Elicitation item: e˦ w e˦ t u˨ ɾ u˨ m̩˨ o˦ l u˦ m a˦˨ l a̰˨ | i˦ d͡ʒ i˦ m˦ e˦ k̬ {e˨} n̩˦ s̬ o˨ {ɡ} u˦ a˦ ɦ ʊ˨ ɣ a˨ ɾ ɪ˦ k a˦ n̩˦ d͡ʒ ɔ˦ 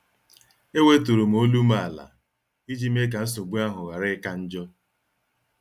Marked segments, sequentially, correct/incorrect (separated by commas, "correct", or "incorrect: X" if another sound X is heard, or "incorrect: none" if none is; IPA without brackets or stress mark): incorrect: a˨, incorrect: ɡ͡b